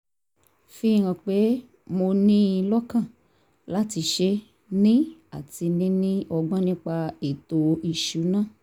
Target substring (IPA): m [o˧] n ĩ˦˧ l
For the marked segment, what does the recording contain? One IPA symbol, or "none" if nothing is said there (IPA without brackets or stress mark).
o˧